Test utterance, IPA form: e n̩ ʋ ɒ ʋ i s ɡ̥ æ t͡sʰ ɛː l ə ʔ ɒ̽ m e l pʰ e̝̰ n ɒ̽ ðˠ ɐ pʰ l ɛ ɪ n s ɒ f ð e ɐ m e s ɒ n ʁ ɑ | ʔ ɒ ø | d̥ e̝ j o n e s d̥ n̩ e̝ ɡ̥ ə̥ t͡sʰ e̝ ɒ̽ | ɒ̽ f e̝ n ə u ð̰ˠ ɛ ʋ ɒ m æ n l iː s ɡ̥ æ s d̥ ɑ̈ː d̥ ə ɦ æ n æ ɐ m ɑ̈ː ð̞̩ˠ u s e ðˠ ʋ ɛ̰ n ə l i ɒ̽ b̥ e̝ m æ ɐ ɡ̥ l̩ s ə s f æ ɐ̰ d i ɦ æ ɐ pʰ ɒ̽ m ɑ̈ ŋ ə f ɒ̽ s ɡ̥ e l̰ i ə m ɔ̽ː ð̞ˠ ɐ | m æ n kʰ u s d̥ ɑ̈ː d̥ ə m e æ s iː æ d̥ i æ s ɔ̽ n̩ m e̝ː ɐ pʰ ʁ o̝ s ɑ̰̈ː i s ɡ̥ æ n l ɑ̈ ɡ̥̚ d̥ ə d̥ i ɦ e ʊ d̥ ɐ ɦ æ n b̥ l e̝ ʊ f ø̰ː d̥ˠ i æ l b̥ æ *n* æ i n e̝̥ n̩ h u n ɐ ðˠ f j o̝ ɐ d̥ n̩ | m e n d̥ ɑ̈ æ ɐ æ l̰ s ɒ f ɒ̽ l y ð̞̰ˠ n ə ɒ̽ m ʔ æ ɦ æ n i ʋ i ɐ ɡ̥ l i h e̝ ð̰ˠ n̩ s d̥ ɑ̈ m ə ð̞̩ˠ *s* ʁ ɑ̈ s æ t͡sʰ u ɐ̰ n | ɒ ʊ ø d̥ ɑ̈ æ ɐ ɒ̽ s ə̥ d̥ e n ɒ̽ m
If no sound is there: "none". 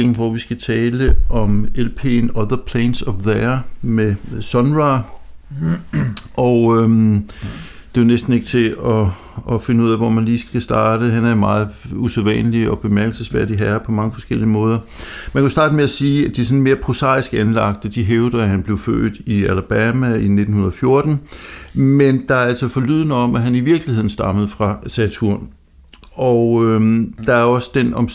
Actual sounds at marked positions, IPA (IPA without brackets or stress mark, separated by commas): m, f